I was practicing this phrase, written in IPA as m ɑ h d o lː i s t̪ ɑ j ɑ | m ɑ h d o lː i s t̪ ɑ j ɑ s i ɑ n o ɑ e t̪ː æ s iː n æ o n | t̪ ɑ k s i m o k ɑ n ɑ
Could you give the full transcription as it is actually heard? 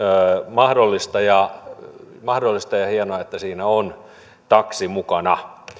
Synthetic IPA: m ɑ h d o lː i s t̪ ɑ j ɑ | m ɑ h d o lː i s t̪ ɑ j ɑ h i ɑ n o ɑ e t̪ː æ s iː n æ o n | t̪ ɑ k s i m u k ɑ n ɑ